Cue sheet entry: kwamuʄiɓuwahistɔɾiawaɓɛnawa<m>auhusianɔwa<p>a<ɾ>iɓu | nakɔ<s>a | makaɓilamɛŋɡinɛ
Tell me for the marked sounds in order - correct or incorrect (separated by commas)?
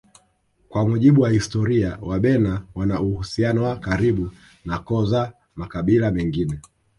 incorrect, incorrect, correct, incorrect